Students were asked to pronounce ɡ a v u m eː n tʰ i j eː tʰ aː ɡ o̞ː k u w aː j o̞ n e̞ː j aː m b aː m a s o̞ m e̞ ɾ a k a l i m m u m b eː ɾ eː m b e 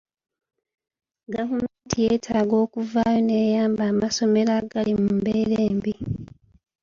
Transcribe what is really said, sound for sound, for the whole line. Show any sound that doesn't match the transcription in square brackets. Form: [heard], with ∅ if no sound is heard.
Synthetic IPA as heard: ɡ a v u m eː n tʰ i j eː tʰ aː ɡ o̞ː k u [v] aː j o̞ n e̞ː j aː m b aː m a s o̞ m e̞ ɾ a [ɡ] a l i m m u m b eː ɾ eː m b [i]